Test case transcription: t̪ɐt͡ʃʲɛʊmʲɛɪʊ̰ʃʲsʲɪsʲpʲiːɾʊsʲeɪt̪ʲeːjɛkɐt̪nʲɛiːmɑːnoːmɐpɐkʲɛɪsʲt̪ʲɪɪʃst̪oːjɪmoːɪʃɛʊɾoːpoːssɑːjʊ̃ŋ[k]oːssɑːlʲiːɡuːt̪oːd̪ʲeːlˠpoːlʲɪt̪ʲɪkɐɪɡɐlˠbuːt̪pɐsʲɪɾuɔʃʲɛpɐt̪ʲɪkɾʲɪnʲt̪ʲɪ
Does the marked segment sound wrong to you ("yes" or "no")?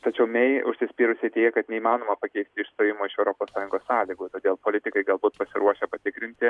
yes